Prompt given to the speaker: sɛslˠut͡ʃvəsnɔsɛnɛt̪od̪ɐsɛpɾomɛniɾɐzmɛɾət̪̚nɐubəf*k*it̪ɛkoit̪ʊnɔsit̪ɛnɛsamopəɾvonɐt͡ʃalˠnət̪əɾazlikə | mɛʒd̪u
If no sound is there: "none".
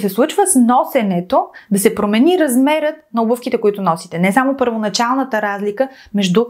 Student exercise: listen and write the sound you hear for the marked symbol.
k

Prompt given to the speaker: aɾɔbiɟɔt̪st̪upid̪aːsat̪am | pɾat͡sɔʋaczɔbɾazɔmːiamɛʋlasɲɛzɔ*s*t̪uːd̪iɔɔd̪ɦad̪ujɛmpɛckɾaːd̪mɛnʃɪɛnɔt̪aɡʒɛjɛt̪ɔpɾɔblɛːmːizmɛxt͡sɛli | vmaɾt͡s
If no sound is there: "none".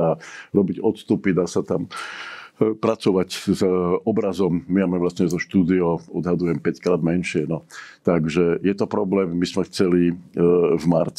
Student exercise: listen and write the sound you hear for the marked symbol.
ʃ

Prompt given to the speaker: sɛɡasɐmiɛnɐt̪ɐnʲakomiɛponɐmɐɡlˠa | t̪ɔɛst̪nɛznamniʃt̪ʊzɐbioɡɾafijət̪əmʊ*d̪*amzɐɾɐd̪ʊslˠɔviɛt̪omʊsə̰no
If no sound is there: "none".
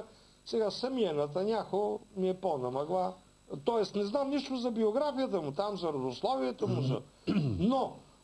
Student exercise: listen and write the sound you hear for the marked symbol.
t̪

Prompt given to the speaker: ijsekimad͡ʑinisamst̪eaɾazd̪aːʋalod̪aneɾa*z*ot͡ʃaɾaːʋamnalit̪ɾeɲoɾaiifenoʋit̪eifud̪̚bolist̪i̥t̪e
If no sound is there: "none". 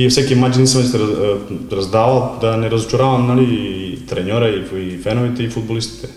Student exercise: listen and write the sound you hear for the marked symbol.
z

